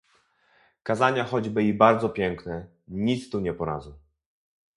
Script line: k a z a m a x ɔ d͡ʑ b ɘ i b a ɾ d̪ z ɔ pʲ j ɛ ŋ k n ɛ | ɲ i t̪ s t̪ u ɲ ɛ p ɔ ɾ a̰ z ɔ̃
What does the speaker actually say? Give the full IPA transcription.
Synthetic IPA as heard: k a z a ɲ a x ɔ d͡ʑ b ɘ i b a ɾ d̪ z ɔ pʲ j ɛ ŋ k n ɛ | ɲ i t̪ s t̪ u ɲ ɛ p ɔ ɾ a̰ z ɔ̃